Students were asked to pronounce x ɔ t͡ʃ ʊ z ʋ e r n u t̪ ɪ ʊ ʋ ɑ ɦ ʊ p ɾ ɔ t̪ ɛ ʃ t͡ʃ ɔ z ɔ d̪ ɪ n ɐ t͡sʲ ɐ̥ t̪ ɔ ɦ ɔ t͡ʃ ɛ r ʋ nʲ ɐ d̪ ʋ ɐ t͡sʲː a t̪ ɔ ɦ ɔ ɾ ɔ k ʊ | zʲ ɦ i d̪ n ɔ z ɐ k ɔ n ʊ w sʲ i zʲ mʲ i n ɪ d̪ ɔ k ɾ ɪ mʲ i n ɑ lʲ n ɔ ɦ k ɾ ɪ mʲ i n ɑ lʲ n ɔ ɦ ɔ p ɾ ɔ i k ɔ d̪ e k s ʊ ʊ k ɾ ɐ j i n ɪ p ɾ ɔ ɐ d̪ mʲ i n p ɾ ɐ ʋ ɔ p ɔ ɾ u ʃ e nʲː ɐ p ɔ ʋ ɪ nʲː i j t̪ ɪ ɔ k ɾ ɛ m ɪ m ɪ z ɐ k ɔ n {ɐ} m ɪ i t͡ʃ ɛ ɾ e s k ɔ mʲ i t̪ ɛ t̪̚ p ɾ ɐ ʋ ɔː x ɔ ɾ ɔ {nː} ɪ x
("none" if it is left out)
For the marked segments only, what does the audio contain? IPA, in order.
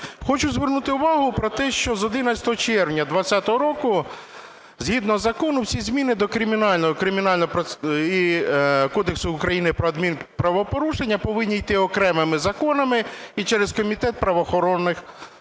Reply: ɐ, nː

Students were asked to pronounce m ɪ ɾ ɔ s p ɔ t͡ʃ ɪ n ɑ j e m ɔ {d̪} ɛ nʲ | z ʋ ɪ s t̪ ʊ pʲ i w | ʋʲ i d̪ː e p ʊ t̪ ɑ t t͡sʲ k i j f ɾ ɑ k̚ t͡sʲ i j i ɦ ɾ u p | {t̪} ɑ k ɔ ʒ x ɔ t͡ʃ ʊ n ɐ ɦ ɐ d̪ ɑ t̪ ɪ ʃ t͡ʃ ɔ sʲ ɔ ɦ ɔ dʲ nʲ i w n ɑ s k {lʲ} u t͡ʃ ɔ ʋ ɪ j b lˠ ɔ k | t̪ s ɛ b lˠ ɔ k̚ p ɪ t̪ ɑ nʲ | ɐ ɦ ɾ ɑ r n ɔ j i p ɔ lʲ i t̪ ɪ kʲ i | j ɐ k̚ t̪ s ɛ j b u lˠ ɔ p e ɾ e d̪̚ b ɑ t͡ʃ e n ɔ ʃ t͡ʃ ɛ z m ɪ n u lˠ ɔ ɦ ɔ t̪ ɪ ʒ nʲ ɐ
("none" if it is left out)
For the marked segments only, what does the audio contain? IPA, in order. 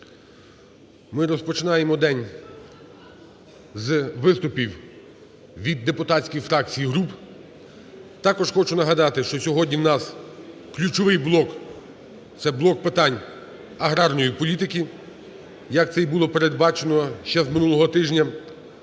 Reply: d̪, t̪, lʲ

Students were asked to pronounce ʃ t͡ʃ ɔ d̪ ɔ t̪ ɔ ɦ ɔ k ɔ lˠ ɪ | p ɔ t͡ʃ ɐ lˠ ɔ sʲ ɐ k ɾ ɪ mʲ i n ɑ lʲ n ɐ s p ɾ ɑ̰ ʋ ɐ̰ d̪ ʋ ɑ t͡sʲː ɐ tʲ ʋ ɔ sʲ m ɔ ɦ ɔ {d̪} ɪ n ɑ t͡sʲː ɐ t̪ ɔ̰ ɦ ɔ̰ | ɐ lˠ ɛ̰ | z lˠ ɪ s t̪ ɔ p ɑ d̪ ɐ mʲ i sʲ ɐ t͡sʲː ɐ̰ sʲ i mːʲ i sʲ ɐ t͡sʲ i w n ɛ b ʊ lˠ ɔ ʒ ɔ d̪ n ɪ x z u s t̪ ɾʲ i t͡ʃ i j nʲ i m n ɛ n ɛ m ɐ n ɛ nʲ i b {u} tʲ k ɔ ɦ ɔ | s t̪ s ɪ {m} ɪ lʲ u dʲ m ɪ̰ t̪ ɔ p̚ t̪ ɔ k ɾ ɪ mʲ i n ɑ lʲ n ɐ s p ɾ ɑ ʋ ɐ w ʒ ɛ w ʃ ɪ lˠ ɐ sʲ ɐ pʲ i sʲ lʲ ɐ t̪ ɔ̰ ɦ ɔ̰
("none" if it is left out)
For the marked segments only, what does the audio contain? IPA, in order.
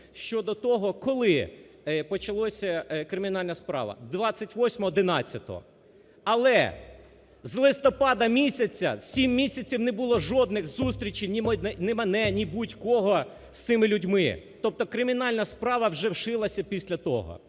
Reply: d̪, u, m

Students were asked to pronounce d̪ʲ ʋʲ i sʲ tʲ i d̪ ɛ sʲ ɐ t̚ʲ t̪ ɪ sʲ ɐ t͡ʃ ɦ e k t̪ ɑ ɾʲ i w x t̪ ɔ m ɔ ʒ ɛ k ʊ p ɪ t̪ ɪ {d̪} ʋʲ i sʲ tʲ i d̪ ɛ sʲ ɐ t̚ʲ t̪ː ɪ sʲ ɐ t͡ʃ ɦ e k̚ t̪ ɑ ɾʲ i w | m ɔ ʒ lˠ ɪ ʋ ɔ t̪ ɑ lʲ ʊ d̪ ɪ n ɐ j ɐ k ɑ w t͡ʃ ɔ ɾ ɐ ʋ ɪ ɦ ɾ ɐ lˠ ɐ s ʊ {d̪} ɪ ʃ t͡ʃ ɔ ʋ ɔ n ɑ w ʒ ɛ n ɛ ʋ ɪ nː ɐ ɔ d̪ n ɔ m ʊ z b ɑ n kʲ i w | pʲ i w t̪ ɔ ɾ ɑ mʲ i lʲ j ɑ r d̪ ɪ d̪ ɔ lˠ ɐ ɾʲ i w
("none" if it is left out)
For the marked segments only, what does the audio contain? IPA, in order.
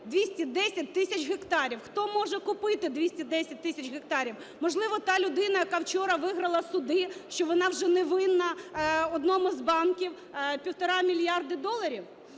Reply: d̪, d̪

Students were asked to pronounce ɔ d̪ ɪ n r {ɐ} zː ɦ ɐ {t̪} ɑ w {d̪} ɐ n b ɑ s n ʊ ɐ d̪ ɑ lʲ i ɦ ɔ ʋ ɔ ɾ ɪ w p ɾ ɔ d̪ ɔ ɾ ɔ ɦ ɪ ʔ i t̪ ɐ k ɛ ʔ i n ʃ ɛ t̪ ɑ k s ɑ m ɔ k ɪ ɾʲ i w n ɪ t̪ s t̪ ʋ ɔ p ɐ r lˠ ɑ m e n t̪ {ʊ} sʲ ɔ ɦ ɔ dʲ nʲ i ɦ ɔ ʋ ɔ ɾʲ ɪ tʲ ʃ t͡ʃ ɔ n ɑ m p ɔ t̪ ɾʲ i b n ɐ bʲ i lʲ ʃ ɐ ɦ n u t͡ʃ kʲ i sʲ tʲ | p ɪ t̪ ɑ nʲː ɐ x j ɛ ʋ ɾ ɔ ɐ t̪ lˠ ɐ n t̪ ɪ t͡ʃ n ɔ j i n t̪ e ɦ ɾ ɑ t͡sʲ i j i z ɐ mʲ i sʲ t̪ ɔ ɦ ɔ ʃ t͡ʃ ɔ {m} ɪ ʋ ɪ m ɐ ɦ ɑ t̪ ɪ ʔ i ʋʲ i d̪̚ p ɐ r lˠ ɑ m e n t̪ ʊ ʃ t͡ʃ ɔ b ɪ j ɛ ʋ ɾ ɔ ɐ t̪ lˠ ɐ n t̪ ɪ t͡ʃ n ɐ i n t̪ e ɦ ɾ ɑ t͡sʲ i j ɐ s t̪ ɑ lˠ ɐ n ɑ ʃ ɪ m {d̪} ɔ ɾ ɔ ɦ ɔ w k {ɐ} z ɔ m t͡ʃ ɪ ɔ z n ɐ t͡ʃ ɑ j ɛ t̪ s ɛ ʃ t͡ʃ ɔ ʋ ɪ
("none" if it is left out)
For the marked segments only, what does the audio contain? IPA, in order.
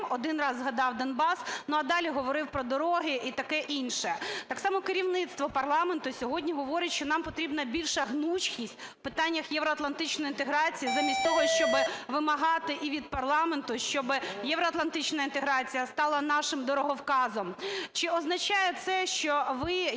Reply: ɑ, d̪, d̪, ʊ, b, d̪, ɑ

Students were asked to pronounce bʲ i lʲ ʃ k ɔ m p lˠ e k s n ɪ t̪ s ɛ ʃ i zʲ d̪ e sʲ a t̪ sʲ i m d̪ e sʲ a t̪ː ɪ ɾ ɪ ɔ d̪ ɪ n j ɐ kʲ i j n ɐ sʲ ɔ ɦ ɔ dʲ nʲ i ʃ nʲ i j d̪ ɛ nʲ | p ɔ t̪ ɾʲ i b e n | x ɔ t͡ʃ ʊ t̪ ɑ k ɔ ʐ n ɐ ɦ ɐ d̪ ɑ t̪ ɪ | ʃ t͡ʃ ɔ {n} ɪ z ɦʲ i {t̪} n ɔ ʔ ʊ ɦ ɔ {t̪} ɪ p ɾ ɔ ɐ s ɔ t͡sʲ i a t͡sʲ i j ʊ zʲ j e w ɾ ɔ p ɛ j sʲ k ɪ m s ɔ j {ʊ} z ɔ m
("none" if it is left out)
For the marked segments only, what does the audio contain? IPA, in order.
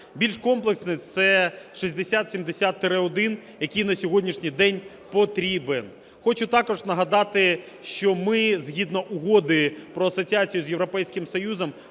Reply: m, d̪, d̪, u

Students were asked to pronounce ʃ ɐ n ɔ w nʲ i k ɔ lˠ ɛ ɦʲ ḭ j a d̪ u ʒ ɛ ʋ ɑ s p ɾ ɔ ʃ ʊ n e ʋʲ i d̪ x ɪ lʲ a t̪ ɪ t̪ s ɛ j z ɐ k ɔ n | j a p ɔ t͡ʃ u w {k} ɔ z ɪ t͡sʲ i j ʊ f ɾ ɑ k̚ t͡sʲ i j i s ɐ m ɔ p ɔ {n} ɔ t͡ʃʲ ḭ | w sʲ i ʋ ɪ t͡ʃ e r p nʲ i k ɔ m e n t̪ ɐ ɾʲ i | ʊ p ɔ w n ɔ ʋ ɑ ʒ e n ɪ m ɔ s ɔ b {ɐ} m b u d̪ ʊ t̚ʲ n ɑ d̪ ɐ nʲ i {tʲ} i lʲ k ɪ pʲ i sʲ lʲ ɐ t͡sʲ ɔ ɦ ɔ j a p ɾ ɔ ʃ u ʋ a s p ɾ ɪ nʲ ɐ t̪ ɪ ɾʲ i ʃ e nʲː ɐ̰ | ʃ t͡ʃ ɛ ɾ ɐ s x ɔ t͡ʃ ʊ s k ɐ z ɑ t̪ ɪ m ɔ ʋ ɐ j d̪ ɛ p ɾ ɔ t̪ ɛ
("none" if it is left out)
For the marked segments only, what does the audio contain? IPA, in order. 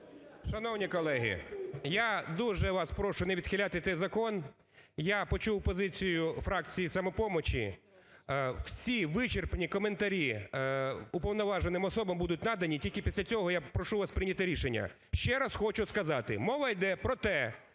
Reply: p, m, ɐ, tʲ

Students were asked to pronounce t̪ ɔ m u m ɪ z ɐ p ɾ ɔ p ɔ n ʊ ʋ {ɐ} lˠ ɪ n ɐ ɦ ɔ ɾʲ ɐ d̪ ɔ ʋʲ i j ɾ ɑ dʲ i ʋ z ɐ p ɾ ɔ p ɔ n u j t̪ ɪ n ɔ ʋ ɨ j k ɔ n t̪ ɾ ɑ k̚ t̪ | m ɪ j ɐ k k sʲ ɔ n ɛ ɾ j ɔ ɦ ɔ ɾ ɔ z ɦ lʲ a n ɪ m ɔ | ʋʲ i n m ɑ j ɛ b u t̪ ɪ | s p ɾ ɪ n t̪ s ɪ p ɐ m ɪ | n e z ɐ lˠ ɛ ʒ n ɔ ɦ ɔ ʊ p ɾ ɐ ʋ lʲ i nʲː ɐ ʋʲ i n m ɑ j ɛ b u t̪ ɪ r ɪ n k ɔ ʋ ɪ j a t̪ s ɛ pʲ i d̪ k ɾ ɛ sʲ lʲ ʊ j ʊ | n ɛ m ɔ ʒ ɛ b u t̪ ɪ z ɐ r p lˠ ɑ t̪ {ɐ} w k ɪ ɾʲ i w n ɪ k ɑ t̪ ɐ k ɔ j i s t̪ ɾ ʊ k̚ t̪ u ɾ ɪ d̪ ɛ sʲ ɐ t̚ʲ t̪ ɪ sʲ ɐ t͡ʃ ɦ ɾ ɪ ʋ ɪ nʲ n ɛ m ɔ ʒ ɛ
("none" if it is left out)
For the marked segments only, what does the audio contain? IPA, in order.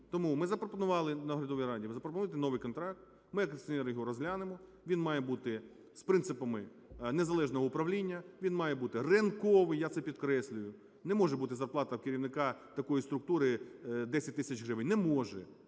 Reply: ɑ, ɐ

